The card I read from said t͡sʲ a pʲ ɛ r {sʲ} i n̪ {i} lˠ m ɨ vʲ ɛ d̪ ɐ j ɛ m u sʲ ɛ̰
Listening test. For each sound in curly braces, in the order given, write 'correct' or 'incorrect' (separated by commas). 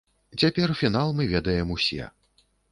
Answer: incorrect, incorrect